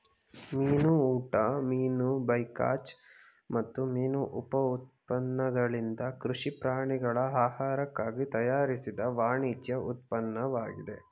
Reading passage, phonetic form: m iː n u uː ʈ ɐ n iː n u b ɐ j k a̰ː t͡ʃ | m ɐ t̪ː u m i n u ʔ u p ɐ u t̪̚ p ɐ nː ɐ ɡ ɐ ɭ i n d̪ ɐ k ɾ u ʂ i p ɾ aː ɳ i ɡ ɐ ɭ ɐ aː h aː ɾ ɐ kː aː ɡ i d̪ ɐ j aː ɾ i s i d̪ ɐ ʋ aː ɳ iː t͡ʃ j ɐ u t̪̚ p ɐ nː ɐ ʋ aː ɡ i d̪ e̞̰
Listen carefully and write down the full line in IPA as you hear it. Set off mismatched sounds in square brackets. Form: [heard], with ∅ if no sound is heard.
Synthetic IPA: m iː n u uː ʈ ɐ [m] iː n u b ɐ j k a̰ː t͡ʃ | m ɐ t̪ː u m [iː] n u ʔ u p ɐ u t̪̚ p ɐ nː ɐ ɡ ɐ ɭ i n d̪ ɐ k ɾ u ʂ i p ɾ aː ɳ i ɡ ɐ ɭ ɐ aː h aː ɾ ɐ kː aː ɡ i [t̪] ɐ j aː ɾ i s i d̪ ɐ ʋ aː ɳ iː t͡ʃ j ɐ u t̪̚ p ɐ nː ɐ ʋ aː ɡ i d̪ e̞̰